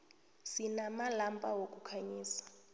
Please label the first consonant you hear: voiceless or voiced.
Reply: voiceless